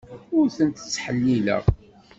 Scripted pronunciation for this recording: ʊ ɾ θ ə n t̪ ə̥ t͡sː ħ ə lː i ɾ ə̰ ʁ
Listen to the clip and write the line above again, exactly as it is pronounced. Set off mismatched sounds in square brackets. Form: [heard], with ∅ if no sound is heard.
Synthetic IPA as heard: ʊ ɾ θ ə n t̪ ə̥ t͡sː ħ ə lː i [l] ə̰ ʁ